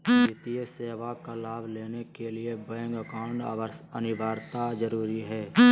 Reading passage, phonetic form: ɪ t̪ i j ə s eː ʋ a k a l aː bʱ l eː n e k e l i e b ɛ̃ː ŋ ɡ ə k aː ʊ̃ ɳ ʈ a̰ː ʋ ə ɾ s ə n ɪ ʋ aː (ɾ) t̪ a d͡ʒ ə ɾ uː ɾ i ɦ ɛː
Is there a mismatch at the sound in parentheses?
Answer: no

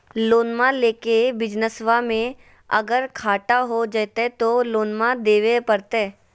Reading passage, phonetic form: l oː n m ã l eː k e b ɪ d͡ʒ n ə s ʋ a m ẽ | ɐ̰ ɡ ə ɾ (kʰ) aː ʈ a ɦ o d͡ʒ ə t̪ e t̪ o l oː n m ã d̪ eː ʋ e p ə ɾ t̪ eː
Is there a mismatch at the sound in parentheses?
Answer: no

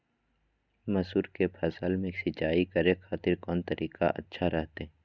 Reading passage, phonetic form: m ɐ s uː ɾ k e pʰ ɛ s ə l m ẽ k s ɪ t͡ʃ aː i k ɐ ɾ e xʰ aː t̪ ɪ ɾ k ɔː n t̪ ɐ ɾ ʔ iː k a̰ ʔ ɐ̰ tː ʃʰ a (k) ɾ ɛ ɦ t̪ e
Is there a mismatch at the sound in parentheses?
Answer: yes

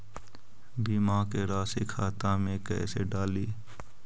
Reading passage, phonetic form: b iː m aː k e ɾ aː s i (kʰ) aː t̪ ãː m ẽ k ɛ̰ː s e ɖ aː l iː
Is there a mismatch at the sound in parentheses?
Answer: no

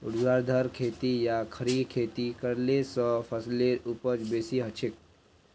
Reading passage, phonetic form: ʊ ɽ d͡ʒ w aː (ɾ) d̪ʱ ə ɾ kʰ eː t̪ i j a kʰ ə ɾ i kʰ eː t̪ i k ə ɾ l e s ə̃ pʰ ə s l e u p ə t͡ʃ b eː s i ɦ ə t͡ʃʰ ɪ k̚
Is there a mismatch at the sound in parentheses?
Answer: no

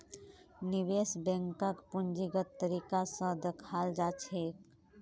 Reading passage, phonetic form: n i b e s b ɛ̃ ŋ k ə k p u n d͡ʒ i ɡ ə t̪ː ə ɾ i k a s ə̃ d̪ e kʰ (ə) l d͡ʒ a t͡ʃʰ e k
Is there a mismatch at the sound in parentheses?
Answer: yes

